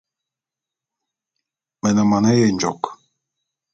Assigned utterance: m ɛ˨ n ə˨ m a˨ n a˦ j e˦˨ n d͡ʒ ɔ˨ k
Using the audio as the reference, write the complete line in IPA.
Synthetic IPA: m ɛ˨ n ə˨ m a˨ n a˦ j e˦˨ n d͡ʒ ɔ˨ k